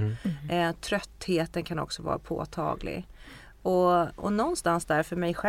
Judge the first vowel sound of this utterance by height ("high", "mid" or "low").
mid